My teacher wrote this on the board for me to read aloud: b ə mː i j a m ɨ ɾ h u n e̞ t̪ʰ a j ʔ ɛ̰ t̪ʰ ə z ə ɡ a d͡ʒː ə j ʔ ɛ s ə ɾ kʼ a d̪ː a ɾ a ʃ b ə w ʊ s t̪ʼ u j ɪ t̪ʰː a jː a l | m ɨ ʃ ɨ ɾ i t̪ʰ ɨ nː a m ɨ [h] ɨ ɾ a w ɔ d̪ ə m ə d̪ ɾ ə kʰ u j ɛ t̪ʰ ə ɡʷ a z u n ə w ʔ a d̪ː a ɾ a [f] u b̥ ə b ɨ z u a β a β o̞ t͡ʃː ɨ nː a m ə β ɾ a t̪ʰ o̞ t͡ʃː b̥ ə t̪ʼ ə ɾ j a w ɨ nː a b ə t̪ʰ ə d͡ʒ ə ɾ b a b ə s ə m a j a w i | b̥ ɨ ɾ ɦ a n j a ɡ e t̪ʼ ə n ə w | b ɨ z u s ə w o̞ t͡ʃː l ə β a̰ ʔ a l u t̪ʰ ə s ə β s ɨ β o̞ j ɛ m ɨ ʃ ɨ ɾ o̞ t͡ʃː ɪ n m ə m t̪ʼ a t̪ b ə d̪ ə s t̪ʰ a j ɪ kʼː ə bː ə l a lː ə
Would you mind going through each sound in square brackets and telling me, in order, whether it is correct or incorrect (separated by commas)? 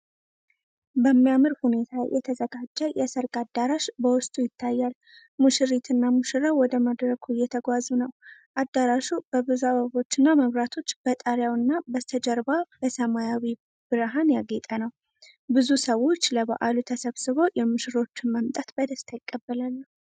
incorrect, incorrect